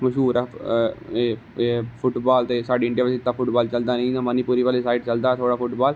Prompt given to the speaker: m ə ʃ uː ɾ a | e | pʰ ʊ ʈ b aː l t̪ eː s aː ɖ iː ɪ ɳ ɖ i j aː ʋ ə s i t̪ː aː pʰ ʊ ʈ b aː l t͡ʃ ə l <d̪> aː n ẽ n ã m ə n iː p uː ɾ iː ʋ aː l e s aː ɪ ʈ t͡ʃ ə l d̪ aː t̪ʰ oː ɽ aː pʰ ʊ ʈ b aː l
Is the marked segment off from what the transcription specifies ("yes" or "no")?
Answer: no